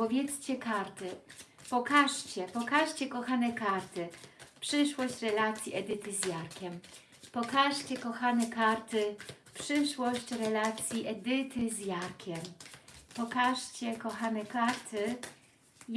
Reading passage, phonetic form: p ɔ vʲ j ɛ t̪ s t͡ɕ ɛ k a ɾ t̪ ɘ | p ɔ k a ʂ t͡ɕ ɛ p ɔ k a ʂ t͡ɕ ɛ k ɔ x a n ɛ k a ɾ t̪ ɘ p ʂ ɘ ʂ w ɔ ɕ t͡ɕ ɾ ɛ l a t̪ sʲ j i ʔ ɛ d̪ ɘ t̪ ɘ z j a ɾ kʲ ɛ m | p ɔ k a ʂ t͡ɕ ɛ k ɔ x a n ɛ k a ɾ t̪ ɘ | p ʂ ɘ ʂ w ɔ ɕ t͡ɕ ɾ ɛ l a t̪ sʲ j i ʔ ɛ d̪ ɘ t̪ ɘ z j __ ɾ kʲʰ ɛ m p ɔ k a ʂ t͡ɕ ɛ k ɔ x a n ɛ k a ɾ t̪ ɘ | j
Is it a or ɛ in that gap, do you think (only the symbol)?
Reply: a